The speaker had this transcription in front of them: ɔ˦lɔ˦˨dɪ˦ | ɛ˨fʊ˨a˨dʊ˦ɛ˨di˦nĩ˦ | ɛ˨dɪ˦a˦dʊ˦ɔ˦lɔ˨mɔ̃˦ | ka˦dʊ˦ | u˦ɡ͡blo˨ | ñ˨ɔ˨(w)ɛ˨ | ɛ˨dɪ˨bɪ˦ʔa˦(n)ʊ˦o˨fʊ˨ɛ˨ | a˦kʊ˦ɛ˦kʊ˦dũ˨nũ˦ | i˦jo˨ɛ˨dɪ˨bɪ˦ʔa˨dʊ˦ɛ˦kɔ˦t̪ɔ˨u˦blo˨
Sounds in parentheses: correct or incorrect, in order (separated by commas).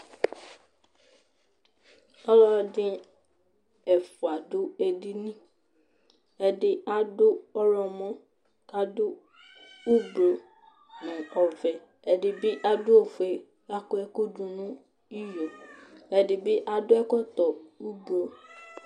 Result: incorrect, incorrect